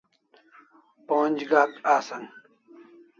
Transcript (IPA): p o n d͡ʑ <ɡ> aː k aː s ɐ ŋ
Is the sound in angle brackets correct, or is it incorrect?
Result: correct